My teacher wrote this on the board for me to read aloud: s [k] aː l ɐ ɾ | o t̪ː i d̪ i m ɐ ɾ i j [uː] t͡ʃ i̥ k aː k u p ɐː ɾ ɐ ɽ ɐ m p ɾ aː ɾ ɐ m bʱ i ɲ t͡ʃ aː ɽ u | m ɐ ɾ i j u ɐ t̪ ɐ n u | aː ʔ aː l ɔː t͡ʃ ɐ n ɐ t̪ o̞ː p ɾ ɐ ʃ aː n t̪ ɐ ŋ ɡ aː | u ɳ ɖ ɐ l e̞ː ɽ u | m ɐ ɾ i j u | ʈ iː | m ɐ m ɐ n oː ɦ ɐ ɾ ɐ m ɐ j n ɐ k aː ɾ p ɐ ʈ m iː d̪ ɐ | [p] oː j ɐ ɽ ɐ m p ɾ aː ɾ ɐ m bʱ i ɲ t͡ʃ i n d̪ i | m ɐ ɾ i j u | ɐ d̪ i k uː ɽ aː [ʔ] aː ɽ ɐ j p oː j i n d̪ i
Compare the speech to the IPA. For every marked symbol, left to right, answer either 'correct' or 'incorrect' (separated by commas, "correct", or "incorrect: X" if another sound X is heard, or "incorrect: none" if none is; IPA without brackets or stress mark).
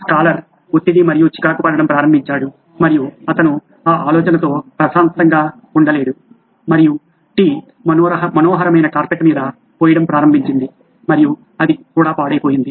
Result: correct, incorrect: u, correct, incorrect: p